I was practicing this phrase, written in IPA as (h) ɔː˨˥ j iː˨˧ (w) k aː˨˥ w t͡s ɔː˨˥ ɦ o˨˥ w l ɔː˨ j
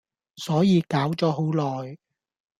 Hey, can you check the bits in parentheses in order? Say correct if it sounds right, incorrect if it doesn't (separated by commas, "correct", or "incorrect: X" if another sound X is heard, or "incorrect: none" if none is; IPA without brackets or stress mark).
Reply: incorrect: s, incorrect: none